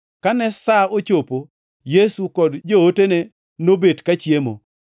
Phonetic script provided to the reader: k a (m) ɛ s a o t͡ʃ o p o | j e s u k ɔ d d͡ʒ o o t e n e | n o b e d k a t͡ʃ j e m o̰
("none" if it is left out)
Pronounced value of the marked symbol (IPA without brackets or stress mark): n